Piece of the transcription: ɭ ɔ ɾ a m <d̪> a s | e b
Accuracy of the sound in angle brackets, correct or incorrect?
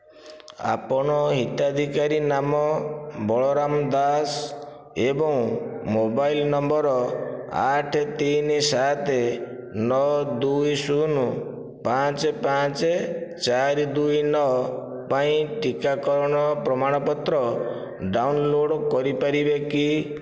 correct